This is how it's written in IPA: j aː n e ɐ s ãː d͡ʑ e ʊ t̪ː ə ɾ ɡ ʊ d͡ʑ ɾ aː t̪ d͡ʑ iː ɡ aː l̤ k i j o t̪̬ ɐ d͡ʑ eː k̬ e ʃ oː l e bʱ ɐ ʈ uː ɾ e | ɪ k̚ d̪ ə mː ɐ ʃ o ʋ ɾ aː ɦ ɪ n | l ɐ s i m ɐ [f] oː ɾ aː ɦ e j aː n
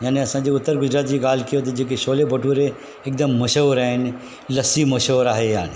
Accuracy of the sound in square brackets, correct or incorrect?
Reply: incorrect